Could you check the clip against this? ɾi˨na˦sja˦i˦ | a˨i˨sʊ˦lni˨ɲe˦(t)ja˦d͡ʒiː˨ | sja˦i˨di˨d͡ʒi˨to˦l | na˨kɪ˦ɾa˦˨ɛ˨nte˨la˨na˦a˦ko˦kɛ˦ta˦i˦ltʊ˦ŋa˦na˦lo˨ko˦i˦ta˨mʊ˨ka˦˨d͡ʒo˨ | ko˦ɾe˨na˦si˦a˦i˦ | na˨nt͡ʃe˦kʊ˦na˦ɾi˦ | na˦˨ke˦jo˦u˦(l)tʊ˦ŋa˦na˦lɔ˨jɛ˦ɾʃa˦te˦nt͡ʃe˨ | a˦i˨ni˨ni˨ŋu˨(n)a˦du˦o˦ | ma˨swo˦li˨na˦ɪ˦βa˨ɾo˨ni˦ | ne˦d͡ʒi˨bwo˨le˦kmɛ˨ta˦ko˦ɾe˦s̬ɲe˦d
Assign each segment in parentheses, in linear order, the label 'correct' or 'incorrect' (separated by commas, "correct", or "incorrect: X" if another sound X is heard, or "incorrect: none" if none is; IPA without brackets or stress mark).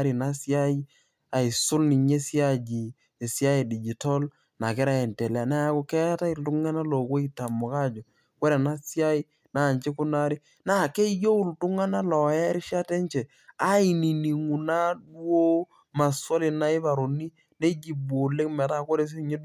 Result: incorrect: s, correct, correct